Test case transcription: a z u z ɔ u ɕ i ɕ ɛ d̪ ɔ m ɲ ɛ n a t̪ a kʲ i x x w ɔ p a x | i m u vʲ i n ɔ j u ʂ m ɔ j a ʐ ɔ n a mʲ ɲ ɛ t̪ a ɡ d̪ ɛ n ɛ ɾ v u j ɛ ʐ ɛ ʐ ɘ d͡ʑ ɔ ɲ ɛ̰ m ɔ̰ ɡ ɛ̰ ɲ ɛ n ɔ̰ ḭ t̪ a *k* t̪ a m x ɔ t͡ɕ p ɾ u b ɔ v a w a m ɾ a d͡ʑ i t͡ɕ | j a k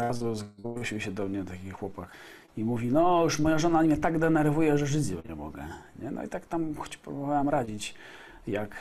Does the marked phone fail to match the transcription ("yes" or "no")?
no